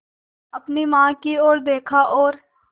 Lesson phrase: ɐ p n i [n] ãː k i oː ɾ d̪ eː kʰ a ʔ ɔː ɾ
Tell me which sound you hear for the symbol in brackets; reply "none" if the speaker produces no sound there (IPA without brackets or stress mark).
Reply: m